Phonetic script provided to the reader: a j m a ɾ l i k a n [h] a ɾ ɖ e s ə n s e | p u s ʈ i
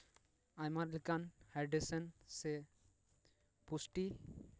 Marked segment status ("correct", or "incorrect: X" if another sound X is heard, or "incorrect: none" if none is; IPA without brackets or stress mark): correct